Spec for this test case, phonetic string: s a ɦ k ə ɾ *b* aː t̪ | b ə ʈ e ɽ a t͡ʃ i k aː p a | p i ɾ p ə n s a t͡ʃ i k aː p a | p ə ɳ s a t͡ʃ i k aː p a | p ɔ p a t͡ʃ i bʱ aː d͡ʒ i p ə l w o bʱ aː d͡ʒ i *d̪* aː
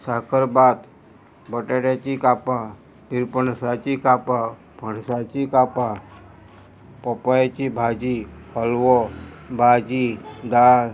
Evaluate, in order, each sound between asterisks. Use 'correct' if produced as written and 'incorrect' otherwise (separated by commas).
correct, correct